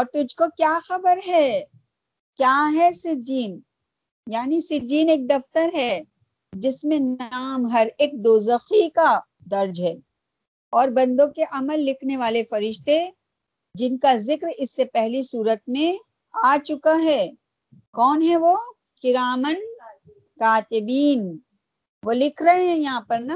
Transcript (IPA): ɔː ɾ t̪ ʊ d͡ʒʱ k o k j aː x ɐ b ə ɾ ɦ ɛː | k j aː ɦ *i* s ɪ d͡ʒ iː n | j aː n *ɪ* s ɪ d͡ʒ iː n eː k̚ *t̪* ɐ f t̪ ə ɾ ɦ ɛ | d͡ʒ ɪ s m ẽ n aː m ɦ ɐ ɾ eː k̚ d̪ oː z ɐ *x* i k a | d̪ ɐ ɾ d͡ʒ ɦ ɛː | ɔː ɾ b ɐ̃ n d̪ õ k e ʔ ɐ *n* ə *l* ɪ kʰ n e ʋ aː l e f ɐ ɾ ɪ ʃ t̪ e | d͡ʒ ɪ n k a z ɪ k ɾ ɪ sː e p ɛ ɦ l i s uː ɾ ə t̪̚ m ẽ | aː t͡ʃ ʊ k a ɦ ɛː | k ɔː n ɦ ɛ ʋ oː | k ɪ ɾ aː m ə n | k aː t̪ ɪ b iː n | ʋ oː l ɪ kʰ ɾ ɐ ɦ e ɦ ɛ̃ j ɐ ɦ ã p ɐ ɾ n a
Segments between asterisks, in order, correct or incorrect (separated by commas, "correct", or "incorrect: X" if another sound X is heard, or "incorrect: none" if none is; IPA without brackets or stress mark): incorrect: ɛ, incorrect: i, incorrect: d̪, correct, incorrect: m, incorrect: lː